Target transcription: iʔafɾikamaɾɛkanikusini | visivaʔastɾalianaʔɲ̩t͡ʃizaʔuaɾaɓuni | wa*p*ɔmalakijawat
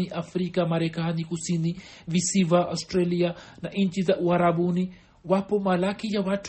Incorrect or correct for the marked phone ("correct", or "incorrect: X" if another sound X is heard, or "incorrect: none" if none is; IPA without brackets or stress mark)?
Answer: correct